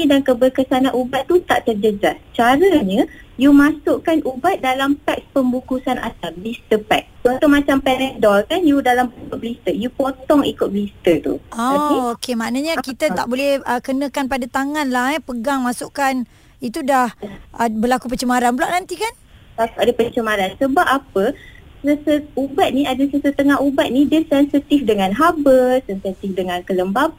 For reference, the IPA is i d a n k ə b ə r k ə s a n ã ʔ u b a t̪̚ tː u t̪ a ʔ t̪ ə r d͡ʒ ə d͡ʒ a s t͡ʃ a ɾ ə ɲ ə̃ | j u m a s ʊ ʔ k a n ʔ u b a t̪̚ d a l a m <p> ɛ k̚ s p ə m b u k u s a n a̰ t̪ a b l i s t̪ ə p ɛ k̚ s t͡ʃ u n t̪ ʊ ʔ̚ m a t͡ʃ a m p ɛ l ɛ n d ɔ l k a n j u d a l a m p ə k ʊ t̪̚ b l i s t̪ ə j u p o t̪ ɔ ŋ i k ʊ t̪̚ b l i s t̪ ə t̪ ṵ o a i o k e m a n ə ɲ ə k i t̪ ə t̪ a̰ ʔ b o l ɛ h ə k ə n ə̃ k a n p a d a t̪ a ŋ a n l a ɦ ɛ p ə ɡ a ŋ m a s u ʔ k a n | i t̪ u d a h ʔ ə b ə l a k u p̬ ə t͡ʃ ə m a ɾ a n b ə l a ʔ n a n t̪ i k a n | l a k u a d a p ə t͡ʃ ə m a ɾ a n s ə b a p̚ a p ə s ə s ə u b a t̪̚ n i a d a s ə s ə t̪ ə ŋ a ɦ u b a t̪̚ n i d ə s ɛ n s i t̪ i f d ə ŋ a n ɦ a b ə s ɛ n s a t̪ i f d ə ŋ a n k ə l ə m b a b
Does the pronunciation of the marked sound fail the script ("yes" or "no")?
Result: no